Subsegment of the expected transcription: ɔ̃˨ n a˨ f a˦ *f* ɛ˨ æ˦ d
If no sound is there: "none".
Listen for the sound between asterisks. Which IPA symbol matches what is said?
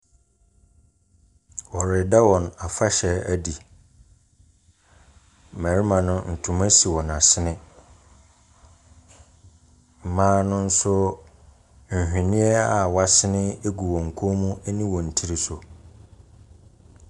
ɕ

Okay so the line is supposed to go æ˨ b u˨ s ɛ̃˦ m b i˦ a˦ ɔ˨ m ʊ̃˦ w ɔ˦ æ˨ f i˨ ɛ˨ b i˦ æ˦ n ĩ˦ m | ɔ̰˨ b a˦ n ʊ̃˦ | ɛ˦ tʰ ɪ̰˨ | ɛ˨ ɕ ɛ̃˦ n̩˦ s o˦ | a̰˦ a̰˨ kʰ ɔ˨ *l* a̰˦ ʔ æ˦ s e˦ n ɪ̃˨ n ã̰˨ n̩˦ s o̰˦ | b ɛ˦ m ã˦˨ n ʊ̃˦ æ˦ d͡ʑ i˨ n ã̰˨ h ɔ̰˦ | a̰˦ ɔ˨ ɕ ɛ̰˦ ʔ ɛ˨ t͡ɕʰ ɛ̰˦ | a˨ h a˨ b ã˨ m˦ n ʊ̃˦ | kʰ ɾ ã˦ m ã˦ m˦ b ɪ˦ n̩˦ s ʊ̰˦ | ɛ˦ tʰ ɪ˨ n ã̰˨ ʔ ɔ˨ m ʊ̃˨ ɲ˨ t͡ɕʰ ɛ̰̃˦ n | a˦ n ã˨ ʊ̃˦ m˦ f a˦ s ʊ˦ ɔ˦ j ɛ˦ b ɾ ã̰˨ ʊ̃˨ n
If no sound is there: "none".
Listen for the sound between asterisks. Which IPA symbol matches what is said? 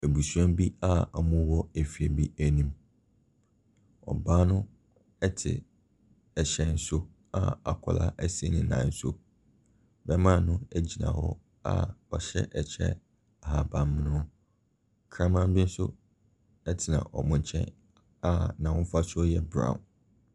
l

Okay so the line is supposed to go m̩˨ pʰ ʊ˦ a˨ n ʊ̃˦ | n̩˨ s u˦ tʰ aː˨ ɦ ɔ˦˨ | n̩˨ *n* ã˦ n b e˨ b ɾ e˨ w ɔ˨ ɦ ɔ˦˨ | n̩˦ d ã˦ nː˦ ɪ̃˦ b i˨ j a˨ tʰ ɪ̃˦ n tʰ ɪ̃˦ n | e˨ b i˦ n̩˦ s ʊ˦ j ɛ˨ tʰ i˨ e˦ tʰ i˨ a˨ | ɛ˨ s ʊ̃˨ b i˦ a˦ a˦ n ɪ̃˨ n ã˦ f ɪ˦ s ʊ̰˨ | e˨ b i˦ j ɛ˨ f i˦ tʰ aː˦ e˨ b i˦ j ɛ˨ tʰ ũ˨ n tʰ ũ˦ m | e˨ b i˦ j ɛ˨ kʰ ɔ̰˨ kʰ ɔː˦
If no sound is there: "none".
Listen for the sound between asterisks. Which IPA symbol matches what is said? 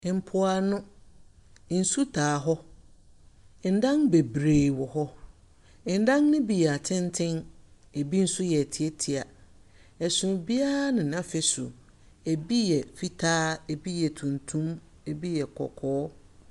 d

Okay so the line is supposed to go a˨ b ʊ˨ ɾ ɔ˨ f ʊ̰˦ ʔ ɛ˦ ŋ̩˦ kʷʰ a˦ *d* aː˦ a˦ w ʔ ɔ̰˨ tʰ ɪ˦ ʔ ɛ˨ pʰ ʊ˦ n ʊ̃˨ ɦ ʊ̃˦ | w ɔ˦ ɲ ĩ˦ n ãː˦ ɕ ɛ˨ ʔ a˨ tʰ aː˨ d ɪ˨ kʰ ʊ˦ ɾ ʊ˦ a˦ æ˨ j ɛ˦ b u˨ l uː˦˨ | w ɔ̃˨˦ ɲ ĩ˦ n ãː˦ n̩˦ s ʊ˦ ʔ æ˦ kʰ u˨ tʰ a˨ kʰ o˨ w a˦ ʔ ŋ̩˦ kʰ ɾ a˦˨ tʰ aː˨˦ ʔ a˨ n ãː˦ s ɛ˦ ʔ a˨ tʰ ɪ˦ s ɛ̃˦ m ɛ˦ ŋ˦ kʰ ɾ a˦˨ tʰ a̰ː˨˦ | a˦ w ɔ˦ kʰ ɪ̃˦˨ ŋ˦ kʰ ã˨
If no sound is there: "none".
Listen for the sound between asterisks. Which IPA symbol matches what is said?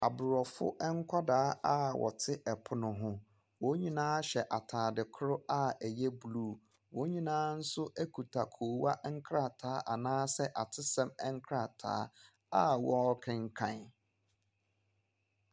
d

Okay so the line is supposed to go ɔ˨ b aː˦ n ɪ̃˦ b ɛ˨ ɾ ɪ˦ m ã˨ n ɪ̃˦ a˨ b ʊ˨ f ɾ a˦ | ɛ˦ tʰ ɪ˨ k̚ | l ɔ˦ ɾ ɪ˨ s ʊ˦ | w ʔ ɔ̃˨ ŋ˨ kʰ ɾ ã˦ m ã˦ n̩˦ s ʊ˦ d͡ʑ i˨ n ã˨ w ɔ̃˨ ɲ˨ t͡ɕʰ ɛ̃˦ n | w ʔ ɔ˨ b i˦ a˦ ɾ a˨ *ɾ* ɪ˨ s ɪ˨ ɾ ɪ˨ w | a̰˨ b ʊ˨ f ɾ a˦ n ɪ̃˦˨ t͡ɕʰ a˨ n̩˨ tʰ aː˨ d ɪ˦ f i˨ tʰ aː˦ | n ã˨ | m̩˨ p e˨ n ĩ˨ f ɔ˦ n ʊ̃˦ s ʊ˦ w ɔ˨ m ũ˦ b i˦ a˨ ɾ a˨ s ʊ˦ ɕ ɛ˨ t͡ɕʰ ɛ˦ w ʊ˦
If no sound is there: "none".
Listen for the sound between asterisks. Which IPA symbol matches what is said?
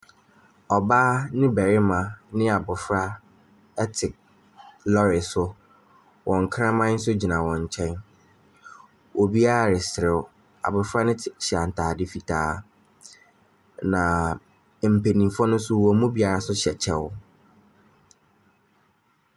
ɾ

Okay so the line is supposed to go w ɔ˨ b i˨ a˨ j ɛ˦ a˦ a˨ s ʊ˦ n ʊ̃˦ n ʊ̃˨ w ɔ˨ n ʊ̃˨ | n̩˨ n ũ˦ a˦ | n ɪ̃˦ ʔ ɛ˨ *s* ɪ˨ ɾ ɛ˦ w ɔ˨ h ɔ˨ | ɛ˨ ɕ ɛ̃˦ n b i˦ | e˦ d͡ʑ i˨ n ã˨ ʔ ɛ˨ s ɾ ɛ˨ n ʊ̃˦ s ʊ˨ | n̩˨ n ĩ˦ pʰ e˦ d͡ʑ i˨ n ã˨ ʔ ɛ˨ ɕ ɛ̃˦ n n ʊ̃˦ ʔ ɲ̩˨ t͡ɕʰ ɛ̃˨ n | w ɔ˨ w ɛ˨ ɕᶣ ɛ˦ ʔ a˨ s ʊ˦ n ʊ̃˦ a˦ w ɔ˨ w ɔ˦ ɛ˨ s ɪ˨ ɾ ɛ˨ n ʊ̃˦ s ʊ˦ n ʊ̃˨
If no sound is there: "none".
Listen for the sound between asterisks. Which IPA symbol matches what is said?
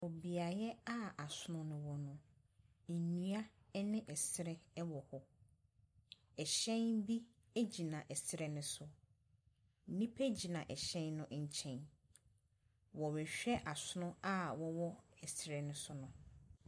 s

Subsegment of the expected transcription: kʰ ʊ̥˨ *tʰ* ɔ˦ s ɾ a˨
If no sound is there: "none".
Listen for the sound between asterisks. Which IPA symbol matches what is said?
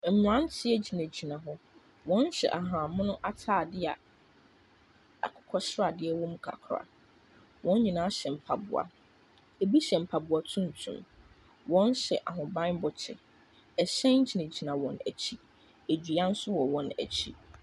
kʰ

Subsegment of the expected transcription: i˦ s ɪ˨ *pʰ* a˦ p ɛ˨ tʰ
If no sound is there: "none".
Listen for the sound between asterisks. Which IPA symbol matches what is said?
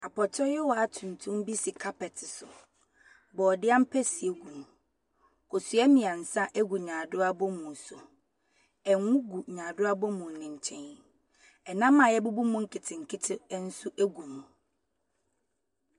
kʰ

